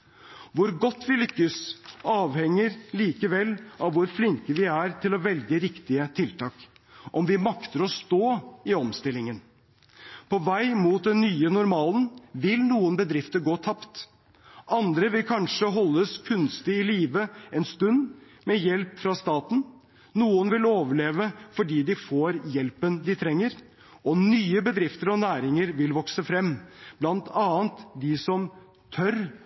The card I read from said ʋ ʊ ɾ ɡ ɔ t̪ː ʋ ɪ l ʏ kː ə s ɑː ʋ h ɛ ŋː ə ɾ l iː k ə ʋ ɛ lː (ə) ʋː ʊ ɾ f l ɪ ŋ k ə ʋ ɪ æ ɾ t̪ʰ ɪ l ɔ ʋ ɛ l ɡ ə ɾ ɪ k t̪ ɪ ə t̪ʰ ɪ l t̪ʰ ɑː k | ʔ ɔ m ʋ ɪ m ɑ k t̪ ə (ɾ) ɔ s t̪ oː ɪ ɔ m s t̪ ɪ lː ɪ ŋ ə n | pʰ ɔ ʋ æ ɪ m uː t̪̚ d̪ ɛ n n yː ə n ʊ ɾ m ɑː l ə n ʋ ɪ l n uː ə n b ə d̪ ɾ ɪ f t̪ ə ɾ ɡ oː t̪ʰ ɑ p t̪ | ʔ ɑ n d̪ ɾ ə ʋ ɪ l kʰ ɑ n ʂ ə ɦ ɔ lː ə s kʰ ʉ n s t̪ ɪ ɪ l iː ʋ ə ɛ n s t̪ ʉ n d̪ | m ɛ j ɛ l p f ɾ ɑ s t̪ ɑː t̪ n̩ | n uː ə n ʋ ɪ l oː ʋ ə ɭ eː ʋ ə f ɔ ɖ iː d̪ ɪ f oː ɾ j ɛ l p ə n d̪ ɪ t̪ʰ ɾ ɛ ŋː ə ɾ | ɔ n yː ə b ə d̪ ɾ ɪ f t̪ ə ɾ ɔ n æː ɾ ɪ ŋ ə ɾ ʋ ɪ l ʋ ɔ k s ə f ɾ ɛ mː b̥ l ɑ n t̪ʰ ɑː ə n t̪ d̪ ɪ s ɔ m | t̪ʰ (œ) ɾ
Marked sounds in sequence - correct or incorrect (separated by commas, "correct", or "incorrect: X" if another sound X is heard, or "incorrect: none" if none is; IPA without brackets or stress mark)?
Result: incorrect: ɑ, correct, correct